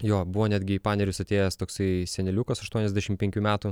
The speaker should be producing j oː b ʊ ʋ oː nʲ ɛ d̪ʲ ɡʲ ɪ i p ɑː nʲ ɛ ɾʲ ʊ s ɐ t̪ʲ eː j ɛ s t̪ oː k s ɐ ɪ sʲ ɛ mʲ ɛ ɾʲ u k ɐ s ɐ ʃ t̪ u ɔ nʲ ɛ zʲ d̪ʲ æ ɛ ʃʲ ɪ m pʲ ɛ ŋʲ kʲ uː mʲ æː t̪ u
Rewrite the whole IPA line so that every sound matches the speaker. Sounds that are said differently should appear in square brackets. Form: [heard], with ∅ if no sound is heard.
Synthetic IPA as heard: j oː b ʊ ʋ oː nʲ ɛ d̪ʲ ɡʲ ɪ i p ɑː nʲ ɛ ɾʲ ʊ s ɐ t̪ʲ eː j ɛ s t̪ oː k s ɐ ɪ sʲ ɛ [nʲ] ɛ [lʲ] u k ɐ s ɐ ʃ t̪ u ɔ nʲ ɛ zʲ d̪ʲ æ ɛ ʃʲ ɪ m pʲ ɛ ŋʲ kʲ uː mʲ æː t̪ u